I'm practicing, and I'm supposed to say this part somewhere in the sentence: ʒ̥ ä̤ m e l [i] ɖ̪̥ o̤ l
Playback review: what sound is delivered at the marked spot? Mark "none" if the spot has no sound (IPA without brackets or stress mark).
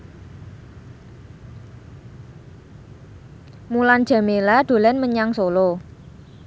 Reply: a